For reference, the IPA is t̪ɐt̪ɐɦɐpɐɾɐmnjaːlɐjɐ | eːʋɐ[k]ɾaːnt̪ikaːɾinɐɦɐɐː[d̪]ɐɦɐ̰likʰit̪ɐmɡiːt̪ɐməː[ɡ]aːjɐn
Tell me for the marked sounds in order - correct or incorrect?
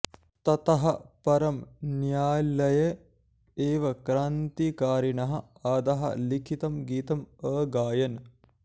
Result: correct, correct, correct

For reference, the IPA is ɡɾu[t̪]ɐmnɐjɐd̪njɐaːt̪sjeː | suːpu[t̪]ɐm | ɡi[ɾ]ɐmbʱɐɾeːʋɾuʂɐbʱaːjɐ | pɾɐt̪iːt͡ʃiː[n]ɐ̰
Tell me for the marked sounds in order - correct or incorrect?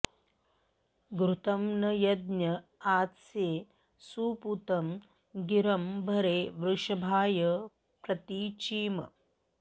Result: correct, correct, correct, incorrect: m

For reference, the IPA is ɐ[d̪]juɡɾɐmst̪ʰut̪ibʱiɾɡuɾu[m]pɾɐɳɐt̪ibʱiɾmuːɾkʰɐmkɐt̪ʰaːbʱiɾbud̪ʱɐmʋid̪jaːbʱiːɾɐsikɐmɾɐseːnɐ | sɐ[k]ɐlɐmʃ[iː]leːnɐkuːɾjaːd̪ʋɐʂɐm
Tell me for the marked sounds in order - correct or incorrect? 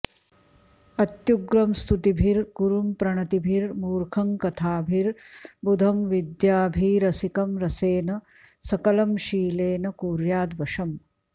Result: incorrect: t̪, correct, correct, correct

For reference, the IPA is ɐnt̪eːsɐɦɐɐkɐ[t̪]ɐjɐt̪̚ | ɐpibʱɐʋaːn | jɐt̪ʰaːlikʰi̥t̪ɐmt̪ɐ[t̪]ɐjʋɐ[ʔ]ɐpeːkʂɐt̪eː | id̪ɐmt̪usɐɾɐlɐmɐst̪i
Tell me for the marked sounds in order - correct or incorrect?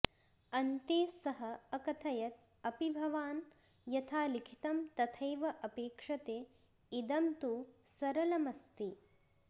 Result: incorrect: t̪ʰ, incorrect: t̪ʰ, correct

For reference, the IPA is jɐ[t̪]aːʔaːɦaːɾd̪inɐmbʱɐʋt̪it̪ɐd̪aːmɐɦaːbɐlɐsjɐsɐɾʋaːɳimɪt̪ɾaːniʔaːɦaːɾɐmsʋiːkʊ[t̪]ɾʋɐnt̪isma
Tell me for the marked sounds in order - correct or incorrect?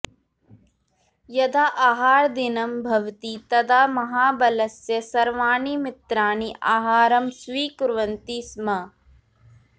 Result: incorrect: d̪, incorrect: none

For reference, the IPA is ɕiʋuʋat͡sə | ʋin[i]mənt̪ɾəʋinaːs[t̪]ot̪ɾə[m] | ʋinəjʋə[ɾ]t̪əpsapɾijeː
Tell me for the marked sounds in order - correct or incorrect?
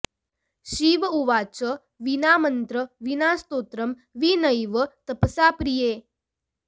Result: incorrect: a, correct, correct, incorrect: none

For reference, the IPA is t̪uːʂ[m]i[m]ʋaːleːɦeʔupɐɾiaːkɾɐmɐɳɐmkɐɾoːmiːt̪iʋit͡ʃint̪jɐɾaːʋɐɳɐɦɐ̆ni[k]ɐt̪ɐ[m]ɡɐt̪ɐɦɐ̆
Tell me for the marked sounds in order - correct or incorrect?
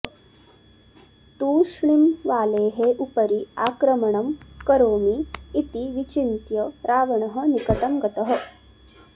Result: incorrect: ɳ, correct, correct, correct

